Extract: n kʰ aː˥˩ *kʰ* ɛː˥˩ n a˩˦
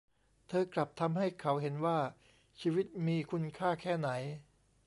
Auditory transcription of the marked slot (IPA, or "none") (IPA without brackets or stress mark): kʰ